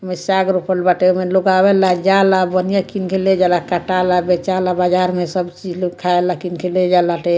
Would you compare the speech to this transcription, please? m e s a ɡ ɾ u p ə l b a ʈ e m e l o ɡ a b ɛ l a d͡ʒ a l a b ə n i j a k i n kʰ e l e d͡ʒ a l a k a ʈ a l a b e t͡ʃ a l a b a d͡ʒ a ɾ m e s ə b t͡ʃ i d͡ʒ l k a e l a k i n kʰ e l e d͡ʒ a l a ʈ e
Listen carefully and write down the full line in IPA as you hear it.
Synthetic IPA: m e s a ɡ ɾ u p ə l b a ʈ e m e l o ɡ a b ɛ l a d͡ʒ a l a b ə n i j a k i n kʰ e l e d͡ʒ a l a k a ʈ a l a b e t͡ʃ a l a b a d͡ʒ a ɾ m e s ə b t͡ʃ i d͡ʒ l kʰ a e l a k i n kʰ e l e d͡ʒ a l a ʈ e